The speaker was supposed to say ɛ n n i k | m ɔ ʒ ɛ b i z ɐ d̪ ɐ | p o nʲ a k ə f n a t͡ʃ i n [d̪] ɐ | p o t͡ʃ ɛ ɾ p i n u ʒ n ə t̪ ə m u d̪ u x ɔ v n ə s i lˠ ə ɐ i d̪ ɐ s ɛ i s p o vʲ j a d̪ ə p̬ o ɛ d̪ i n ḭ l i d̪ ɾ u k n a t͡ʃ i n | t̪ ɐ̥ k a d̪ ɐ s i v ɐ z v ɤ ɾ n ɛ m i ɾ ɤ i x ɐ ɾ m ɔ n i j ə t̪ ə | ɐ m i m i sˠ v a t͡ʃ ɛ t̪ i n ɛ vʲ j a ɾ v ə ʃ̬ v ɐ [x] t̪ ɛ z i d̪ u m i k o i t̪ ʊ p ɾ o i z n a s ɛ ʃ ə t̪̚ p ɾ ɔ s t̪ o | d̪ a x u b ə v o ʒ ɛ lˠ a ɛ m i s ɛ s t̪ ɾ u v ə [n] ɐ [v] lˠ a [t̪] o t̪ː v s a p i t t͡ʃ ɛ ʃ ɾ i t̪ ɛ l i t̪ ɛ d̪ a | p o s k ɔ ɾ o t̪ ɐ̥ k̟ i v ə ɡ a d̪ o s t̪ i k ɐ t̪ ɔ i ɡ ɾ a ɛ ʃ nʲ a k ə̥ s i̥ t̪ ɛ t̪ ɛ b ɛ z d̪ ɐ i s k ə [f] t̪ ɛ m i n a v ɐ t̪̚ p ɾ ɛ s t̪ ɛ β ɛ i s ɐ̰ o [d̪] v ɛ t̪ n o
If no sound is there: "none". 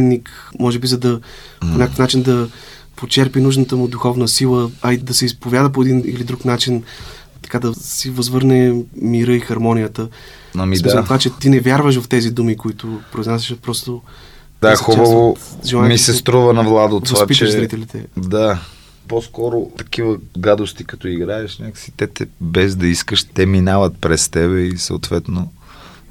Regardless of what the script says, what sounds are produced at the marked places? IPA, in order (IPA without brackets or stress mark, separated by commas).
d̪, f, n, v, d̪, ʃ, t̪